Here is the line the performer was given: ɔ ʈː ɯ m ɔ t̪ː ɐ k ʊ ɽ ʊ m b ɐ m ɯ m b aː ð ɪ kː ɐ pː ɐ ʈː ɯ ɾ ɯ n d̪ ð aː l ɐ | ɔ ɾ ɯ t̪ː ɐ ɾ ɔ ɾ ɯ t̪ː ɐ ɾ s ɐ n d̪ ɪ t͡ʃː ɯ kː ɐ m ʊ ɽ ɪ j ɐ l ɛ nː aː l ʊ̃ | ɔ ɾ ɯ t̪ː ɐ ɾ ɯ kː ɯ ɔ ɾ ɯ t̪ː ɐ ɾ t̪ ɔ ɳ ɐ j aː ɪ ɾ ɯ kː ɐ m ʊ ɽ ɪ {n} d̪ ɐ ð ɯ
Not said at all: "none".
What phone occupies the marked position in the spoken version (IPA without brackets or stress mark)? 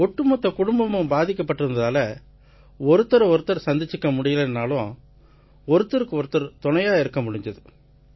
ɲ